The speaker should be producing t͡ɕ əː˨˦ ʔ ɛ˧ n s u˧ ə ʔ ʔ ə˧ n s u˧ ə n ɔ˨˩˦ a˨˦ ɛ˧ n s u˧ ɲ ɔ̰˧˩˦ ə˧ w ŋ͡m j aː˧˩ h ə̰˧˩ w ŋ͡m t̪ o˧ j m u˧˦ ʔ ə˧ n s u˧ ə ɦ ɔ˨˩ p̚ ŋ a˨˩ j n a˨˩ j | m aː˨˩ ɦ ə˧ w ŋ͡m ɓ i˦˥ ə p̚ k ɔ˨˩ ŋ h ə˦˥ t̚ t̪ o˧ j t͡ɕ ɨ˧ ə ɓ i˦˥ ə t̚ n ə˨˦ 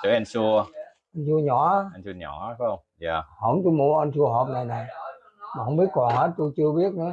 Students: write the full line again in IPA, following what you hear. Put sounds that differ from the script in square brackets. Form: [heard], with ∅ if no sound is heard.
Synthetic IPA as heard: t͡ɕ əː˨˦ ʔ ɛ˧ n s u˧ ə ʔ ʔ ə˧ n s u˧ ə [ɲ] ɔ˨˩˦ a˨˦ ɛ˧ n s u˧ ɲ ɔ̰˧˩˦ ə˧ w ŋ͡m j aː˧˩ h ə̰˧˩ w ŋ͡m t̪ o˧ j m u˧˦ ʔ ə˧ n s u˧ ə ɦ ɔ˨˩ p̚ [n] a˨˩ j n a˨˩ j | m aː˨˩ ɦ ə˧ w ŋ͡m ɓ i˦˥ ə [t̚] k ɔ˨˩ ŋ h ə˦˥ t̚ t̪ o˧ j t͡ɕ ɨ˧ ə ɓ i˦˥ ə t̚ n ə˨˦